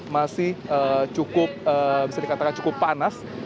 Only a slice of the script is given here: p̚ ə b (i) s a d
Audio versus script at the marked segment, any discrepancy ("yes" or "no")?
no